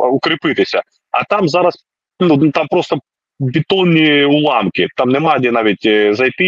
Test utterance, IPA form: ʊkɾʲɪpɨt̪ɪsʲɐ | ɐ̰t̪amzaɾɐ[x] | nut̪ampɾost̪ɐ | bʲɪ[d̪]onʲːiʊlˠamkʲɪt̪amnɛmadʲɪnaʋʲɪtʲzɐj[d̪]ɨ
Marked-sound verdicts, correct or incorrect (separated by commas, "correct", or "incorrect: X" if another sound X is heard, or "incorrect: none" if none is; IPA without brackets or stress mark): incorrect: s, incorrect: t̪, incorrect: t̪